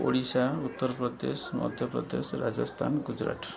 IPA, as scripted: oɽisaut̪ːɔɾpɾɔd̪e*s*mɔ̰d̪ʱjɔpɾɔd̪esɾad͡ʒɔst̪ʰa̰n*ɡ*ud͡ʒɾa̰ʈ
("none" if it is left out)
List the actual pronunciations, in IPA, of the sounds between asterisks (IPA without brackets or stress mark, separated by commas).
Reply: s, ɡ